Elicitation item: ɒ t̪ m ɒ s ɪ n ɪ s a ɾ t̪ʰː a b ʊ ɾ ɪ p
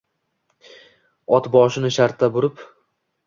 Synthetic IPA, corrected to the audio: ɒ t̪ b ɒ ʃ ɪ n ɪ ʃ a ɾ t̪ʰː a b ʊ ɾ ɪ p